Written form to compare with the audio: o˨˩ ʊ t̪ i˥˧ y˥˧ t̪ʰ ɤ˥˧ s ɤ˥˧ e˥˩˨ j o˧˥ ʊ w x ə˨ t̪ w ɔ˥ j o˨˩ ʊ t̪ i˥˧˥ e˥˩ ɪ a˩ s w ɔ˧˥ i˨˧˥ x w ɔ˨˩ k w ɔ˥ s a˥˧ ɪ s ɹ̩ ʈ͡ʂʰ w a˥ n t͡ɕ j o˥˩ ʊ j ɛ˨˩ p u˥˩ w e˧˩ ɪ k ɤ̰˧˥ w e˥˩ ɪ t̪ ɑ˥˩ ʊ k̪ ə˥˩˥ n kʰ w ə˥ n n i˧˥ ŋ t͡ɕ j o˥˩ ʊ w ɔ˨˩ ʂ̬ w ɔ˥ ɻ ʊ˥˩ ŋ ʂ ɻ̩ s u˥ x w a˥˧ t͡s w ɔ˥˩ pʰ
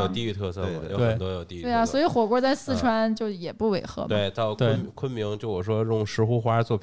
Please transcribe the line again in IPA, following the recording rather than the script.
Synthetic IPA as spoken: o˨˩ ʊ t̪ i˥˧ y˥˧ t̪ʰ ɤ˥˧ s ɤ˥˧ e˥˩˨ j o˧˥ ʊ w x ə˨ t̪ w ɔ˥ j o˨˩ ʊ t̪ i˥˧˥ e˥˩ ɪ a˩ s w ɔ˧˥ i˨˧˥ x w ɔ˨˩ k w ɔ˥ t͡s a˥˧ ɪ s ɹ̩ ʈ͡ʂʰ w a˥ n t͡ɕ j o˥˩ ʊ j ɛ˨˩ p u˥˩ w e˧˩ ɪ x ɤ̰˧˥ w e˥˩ ɪ t̪ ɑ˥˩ ʊ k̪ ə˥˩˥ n kʰ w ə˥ n m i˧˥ ŋ t͡ɕ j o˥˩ ʊ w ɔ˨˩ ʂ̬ w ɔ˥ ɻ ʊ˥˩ ŋ ʂ ɻ̩ x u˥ x w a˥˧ t͡s w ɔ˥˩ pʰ